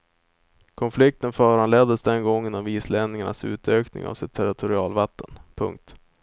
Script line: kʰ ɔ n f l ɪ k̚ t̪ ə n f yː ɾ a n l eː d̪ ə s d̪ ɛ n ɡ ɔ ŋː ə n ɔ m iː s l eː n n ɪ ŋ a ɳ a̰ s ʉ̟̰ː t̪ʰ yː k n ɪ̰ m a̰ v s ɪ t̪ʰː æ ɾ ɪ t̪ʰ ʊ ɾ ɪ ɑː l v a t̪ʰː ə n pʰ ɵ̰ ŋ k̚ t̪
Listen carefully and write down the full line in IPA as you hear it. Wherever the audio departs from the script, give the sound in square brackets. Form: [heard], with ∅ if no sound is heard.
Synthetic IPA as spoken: kʰ ɔ n f l ɪ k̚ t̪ ə n f [œː] ɾ a n l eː d̪ ə s d̪ ɛ n ɡ ɔ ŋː ə n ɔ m iː s l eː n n ɪ ŋ a ɳ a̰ s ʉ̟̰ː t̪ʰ [øː] k n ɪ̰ [ŋ] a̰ v s ɪ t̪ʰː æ ɾ ɪ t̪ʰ ʊ ɾ ɪ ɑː l v a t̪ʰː ə n pʰ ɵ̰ ŋ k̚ t̪